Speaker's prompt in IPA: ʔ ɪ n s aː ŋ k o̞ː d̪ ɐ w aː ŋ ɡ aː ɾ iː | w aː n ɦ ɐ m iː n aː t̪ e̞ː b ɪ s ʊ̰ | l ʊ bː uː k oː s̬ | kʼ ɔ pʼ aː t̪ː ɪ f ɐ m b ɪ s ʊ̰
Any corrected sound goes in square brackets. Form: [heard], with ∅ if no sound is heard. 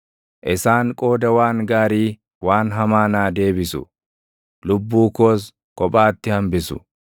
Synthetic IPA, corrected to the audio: ʔ ɪ [∅] s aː ŋ [kʼ] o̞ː d̪ ɐ w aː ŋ ɡ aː ɾ iː | w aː n ɦ ɐ m [aː] n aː [d̪] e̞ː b ɪ s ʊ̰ | l ʊ bː uː k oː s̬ | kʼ ɔ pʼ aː t̪ː ɪ [h] ɐ m b ɪ s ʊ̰